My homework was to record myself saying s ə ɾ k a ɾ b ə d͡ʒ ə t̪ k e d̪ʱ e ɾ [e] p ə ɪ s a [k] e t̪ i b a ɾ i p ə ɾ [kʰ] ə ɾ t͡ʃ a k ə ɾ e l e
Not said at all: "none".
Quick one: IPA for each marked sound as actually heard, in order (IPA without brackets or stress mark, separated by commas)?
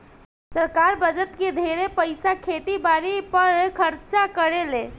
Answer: e, kʰ, kʰ